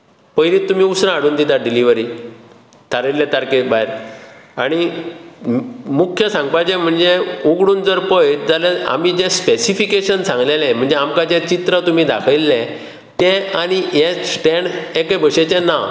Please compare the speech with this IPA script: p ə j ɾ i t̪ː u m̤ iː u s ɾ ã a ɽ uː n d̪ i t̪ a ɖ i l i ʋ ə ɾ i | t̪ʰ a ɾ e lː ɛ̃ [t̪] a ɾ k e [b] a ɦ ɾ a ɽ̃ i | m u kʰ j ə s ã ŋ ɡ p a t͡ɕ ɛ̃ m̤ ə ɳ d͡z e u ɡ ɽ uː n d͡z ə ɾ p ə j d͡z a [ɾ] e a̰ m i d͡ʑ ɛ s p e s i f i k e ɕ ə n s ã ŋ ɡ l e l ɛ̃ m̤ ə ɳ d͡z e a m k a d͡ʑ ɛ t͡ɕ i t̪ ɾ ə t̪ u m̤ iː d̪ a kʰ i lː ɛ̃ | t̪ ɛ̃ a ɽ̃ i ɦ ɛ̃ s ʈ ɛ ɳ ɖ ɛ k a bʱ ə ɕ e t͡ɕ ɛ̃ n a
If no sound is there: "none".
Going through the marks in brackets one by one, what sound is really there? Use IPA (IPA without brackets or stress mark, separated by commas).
t̪, b, l